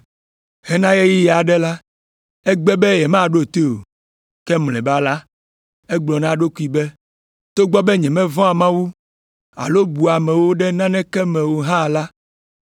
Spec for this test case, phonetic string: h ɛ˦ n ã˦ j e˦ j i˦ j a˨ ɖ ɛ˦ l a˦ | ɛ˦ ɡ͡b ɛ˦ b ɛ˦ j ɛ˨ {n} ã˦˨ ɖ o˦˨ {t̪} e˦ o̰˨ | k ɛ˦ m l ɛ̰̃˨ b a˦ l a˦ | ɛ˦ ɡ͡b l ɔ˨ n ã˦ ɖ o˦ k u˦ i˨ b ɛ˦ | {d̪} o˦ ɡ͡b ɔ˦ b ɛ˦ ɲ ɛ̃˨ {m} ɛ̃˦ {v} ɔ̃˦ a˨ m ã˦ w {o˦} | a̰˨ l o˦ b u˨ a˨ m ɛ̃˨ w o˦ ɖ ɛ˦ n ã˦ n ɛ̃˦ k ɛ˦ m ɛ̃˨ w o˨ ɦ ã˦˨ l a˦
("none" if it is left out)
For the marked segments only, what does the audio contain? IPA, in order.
m, t̪, t̪, m, v, u˦

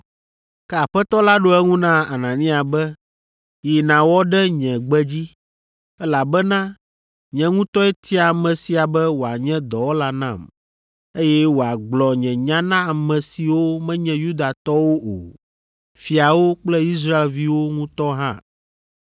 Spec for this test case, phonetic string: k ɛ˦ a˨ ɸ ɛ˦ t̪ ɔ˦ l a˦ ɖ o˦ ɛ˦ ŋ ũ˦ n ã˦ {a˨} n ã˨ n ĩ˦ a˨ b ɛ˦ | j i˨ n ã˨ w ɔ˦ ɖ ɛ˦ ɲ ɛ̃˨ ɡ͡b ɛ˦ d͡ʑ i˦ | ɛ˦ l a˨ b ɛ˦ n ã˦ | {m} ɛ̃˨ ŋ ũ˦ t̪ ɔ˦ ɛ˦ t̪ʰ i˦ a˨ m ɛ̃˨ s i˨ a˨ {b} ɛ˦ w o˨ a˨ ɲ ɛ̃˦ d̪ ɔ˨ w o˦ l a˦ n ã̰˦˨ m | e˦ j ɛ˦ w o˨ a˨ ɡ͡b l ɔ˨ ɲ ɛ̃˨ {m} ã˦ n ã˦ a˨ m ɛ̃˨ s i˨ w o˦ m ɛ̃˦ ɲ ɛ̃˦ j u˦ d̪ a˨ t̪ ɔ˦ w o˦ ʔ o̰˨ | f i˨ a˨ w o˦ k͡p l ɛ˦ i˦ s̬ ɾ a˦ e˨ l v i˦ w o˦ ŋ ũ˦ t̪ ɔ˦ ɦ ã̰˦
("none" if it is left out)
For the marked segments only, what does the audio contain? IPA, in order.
a˨, ɲ, b, ɲ

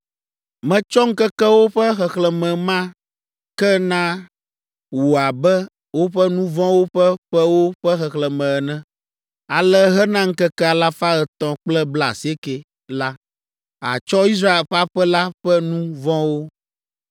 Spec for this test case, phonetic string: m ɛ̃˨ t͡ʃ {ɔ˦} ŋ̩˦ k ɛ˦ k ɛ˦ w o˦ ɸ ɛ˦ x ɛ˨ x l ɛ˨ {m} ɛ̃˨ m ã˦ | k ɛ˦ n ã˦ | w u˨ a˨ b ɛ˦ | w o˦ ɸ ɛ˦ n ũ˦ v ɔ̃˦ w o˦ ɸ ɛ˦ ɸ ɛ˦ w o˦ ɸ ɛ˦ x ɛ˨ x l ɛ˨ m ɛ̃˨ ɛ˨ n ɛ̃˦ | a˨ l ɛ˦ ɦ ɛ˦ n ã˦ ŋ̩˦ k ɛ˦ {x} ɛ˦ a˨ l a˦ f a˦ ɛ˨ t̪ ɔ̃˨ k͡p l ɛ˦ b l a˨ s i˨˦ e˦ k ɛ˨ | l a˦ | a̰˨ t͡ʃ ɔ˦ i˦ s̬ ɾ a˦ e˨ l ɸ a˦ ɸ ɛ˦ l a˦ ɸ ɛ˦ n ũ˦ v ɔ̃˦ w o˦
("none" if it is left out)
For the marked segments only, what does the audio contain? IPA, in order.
ɔ˦, m, k

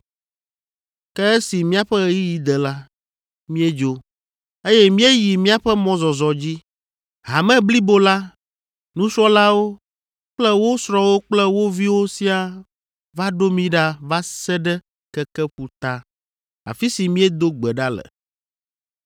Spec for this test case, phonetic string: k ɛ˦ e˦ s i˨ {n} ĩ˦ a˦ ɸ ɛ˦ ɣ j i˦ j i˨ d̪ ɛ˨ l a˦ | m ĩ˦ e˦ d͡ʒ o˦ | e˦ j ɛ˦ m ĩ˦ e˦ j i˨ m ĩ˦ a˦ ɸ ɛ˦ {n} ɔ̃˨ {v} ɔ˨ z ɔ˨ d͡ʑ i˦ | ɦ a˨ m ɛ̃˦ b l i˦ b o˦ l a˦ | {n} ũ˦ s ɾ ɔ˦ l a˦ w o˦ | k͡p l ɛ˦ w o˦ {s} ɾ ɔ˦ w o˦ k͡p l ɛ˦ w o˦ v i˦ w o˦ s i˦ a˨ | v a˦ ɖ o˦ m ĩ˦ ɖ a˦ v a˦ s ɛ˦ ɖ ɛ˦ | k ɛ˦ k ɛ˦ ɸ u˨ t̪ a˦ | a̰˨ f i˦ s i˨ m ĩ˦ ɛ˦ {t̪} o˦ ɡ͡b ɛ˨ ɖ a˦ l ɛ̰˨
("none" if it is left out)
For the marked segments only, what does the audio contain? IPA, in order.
m, m, z, n, s, d̪

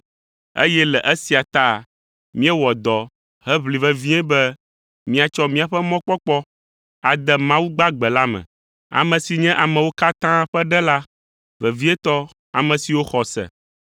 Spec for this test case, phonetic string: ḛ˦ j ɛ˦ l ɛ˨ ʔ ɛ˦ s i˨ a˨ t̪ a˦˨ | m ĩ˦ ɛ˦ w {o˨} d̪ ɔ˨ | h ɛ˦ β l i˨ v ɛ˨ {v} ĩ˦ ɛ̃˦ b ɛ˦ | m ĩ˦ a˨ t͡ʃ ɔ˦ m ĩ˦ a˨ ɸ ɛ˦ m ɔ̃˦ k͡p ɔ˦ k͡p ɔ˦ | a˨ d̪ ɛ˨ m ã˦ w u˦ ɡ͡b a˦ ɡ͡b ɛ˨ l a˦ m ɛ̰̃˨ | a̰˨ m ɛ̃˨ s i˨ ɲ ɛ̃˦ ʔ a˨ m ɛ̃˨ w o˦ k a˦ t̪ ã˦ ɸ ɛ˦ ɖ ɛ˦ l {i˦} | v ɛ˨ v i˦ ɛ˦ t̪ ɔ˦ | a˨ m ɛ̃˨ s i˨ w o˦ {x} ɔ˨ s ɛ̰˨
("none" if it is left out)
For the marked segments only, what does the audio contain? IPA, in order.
ɔ˨, v, a˦, x

